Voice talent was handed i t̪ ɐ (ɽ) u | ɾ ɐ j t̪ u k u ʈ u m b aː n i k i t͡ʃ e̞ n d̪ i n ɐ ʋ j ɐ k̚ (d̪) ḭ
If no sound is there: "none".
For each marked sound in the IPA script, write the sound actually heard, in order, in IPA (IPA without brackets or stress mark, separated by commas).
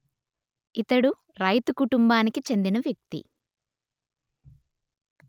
ɽ, t̪